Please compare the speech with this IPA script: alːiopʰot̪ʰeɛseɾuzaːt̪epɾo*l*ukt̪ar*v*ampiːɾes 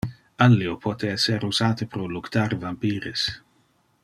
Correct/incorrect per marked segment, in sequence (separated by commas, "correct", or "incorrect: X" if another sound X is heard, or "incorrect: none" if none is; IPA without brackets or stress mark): correct, correct